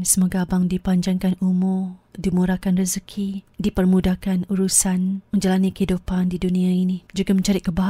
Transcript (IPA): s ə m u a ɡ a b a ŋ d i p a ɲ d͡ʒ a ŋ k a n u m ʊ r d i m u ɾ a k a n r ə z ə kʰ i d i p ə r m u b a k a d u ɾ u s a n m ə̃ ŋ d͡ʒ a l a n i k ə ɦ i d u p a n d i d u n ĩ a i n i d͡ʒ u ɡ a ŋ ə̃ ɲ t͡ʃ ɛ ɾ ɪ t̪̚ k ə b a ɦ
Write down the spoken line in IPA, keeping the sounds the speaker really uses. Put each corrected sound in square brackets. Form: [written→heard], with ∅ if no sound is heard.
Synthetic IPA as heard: s ə m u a ɡ a b a ŋ d i p a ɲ d͡ʒ a ŋ k a n u m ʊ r d i m u ɾ a k a n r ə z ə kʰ i d i p ə r m u [b→d] a k a [d→n] u ɾ u s a n m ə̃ [ŋ→ɲ] d͡ʒ a l a n i k ə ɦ i d u p a n d i d u n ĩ a i n i d͡ʒ u ɡ a [ŋ→m] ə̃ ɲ t͡ʃ [ɛ→a] ɾ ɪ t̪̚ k ə b a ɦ